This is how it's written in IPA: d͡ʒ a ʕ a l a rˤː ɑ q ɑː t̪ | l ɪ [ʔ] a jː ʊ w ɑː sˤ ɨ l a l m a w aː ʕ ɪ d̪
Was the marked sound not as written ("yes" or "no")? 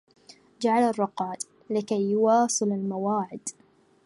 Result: yes